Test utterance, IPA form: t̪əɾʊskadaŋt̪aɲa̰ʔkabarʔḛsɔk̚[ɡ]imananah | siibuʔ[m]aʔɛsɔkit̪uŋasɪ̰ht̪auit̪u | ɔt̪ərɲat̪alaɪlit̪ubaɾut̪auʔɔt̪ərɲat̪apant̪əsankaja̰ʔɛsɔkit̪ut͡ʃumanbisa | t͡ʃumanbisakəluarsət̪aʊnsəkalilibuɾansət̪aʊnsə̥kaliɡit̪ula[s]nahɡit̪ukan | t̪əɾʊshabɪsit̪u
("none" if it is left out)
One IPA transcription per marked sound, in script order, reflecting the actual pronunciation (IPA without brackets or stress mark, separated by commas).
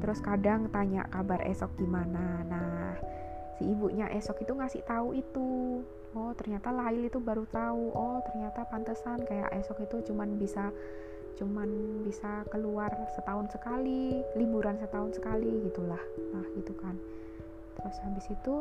ɡ, ɲ, h